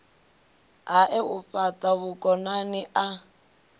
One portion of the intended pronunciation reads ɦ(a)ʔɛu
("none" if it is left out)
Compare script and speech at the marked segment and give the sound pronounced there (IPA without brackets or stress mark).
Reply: a